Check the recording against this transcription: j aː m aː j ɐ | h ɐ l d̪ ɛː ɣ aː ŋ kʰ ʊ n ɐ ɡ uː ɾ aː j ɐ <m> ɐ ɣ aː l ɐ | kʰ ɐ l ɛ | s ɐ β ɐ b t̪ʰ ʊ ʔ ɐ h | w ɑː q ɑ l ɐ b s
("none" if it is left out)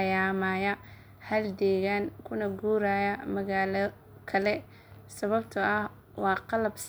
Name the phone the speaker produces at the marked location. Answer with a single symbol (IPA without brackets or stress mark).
m